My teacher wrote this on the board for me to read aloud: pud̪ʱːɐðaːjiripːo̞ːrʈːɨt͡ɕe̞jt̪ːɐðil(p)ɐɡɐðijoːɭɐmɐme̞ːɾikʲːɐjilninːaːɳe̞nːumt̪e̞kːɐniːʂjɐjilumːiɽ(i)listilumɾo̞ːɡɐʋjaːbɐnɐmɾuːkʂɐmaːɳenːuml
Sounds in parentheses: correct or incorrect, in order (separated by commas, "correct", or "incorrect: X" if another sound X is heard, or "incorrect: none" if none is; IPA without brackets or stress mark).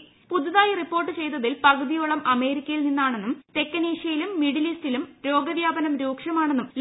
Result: correct, correct